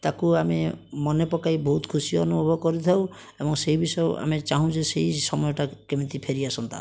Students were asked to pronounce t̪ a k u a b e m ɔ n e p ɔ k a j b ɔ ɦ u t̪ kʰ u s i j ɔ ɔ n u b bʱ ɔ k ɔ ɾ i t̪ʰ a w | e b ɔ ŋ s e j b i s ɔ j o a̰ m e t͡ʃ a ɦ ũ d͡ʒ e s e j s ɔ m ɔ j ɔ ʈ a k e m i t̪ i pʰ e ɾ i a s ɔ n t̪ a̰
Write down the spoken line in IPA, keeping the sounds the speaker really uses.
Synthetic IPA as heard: t̪ a k u a m e m ɔ n e p ɔ k a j b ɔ ɦ u t̪ kʰ u s i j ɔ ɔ n u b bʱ ɔ k ɔ ɾ i t̪ʰ a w | e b ɔ ŋ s e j b i s ɔ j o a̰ m e t͡ʃ a ɦ ũ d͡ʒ e s e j s ɔ m ɔ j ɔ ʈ a k e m i t̪ i pʰ e ɾ i a s ɔ n t̪ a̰